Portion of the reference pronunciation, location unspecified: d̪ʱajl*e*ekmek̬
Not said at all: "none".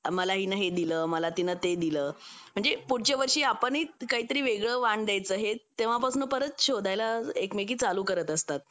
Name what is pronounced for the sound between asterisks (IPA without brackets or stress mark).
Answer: a